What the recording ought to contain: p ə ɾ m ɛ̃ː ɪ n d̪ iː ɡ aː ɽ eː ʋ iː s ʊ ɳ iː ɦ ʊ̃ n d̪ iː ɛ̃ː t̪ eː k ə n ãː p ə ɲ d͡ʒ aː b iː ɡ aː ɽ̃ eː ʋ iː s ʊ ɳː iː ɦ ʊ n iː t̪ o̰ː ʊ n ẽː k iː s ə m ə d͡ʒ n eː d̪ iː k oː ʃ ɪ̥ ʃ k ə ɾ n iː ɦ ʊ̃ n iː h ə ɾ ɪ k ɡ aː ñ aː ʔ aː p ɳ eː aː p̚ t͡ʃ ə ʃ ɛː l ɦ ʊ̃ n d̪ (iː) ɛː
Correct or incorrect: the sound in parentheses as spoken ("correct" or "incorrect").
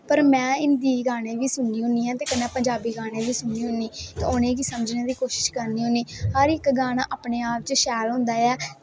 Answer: incorrect